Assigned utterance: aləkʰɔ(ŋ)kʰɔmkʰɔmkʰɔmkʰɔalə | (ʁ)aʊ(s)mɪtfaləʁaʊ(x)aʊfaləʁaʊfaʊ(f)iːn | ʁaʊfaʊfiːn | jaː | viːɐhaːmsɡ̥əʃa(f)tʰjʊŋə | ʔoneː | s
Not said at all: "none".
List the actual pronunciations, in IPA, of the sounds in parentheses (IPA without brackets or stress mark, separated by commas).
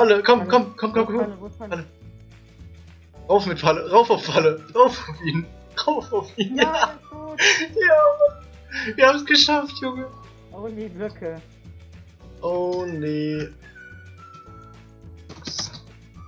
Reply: m, ʁ, f, f, f, f